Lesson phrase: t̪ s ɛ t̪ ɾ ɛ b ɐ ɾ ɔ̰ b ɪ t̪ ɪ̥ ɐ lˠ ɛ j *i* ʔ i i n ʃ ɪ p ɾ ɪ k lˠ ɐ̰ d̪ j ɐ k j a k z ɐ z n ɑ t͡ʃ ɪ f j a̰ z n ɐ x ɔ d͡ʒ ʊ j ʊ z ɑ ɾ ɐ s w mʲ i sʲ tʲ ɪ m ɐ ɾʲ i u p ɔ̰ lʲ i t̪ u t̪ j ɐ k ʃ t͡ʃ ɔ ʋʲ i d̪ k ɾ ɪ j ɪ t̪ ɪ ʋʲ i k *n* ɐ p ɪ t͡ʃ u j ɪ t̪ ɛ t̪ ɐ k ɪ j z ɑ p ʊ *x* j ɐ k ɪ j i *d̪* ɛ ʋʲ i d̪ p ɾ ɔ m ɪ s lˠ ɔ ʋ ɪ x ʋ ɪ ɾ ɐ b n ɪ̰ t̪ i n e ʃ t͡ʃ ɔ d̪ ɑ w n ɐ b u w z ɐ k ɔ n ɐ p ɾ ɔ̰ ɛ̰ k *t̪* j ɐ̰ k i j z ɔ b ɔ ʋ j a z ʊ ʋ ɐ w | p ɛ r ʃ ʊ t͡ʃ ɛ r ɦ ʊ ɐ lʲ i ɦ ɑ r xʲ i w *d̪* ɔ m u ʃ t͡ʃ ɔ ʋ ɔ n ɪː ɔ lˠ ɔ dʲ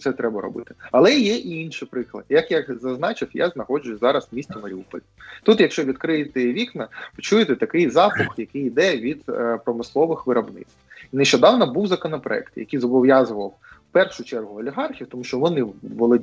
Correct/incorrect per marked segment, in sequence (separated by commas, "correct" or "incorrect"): incorrect, correct, correct, correct, correct, incorrect